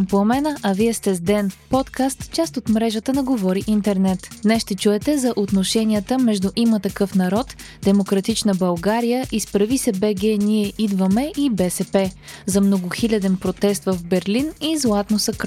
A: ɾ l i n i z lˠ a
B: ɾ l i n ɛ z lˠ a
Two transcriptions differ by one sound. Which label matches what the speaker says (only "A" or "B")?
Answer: A